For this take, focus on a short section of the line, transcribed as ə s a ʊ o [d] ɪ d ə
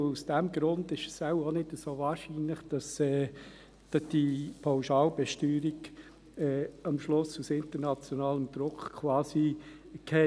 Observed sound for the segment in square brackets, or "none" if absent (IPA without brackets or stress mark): n